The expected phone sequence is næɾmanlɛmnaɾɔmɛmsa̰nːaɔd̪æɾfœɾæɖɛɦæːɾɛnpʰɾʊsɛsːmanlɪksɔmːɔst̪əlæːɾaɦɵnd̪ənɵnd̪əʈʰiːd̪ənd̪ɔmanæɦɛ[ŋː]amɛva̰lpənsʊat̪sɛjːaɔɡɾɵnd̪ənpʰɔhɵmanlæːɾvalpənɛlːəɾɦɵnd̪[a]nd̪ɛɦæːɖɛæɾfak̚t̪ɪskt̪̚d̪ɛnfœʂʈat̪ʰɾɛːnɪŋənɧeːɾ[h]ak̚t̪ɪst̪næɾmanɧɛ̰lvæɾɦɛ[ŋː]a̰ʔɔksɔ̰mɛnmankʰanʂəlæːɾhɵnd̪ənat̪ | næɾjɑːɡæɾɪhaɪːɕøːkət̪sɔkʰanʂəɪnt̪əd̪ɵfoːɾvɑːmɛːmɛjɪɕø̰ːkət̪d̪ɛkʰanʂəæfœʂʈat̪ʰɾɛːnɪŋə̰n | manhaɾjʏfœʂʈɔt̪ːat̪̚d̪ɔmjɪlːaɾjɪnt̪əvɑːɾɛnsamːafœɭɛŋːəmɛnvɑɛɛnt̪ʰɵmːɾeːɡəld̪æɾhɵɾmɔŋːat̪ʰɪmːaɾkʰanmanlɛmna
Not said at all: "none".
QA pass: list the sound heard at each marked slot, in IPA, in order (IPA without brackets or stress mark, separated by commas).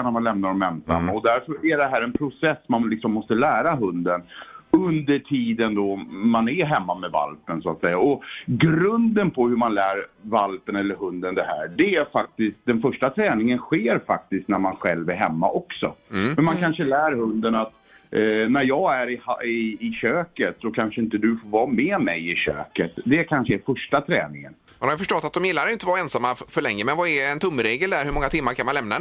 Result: mː, ə, f, mː